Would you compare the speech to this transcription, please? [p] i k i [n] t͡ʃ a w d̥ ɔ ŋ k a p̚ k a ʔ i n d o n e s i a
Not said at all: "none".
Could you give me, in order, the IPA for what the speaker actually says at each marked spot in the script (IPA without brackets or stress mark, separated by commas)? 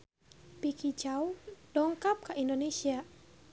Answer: p, none